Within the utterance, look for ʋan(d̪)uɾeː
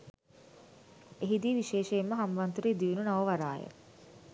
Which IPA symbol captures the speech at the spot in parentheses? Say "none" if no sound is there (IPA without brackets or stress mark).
t̪